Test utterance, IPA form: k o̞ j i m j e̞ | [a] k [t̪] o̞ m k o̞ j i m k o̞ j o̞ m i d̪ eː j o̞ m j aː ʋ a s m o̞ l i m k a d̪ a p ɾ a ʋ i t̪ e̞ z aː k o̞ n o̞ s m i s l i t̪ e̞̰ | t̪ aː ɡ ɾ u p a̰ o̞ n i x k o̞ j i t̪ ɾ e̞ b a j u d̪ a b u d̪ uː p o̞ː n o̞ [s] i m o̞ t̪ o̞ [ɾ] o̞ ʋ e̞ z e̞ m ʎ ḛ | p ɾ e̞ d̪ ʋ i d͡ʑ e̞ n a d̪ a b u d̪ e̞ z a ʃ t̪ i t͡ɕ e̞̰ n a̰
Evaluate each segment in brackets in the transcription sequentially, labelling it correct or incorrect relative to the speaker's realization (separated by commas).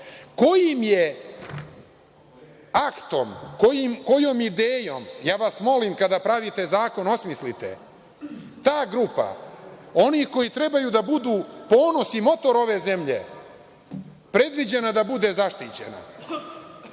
correct, correct, correct, correct